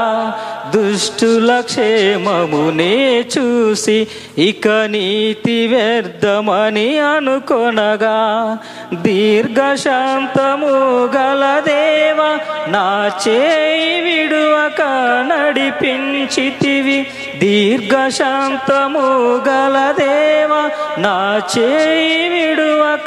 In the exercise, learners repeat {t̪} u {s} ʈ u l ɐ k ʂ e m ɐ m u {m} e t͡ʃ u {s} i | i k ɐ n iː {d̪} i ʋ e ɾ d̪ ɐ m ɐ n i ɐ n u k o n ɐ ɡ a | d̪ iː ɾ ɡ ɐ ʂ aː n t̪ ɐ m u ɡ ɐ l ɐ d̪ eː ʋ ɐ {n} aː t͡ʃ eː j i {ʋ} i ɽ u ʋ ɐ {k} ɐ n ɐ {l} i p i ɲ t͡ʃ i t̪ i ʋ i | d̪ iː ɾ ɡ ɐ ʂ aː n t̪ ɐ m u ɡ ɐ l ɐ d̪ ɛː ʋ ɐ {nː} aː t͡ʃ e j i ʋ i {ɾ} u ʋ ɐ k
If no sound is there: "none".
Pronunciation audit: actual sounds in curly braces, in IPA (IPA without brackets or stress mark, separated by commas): d̪, ʂ, n, s, t̪, n, ʋ, k, ɽ, n, ɽ